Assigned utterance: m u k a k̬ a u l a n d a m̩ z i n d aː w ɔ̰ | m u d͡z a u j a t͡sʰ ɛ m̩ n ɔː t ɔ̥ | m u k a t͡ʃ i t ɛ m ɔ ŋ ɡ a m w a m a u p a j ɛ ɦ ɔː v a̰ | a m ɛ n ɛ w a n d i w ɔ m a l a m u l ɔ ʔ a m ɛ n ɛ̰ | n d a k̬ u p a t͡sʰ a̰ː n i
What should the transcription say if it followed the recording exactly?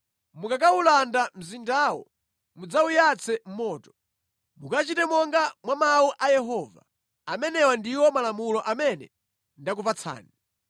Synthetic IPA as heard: m u k a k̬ a u l a n d a m̩ z i n d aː w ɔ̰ | m u d͡z a u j a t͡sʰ ɛ m̩ m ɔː t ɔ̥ | m u k a t͡ʃ i t ɛ m ɔ ŋ ɡ a m w a m a u ʔ a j ɛ ɦ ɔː v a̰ | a m ɛ n ɛ w a n d i w ɔ m a l a m u l ɔ ʔ a m ɛ n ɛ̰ | n d a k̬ u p a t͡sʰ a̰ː n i